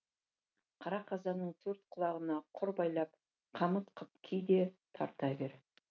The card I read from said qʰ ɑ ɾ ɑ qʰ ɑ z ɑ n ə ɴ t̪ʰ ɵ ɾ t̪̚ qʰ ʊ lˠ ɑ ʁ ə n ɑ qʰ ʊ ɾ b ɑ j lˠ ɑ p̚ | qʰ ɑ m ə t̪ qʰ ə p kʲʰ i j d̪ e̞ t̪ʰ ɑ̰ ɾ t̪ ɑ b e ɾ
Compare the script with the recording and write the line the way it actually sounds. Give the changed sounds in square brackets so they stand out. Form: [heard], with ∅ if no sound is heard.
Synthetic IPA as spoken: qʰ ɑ ɾ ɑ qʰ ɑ z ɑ n ə ɴ t̪ʰ ɵ ɾ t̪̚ qʰ ʊ lˠ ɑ ʁ ə n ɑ qʰ ʊ ɾ b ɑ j lˠ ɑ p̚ | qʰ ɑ m ə t̪ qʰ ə p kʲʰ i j d̪ e̞ t̪ʰ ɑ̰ ɾ t̪ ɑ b e ɾ